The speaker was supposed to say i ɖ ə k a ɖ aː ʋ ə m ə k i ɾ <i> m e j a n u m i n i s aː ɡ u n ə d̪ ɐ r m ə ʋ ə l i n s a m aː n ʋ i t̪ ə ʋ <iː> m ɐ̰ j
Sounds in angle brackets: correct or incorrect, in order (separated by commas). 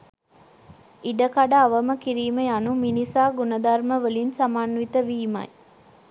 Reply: incorrect, correct